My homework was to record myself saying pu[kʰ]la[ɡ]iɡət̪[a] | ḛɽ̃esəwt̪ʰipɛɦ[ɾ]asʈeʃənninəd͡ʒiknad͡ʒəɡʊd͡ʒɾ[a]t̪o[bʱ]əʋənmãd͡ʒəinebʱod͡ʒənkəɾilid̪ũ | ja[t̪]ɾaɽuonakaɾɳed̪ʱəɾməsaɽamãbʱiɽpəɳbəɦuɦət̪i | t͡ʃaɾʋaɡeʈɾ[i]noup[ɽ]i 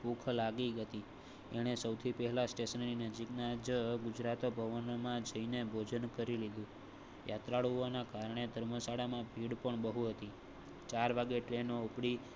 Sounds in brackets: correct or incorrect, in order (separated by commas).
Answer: correct, correct, incorrect, incorrect, correct, correct, correct, incorrect, correct